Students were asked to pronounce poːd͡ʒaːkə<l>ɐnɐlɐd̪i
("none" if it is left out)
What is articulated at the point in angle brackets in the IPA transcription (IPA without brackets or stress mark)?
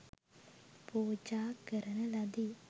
ɾ